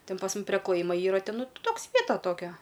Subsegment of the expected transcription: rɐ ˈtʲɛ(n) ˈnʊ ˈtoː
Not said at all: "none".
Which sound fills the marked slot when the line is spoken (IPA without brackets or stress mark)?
n